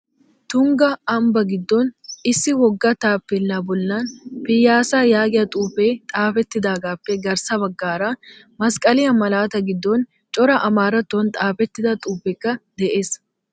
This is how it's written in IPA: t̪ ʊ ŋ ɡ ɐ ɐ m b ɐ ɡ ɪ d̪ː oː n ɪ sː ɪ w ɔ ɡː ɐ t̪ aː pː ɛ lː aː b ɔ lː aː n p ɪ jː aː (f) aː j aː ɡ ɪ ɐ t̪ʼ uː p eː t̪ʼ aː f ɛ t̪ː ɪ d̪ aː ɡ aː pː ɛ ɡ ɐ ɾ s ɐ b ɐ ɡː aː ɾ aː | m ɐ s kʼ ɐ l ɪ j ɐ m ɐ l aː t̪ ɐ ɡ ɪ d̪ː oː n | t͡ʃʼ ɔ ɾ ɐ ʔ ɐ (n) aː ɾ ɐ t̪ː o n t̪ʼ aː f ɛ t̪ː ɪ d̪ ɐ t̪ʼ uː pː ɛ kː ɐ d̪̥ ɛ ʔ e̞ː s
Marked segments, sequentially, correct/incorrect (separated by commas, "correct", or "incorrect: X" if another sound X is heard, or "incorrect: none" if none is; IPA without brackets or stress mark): incorrect: s, incorrect: m